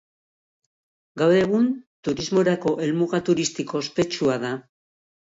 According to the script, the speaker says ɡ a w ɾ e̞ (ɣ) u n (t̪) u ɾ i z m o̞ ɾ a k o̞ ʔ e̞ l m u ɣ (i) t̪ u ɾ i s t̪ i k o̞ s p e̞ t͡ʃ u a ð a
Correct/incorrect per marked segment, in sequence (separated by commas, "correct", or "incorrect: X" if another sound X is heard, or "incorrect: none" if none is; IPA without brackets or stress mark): correct, correct, incorrect: a